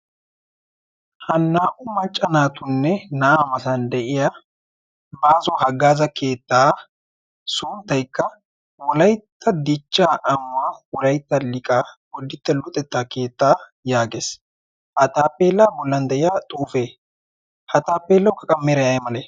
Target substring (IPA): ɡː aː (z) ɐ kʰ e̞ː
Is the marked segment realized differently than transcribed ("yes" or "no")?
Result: no